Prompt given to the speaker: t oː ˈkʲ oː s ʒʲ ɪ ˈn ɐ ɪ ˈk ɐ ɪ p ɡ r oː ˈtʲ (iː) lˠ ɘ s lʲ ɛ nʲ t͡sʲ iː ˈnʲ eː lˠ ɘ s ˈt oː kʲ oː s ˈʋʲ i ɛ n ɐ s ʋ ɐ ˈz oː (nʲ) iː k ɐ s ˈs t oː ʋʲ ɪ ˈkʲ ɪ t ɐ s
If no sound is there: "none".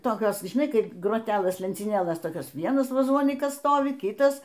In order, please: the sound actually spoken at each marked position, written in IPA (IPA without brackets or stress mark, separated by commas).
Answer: æː, nʲ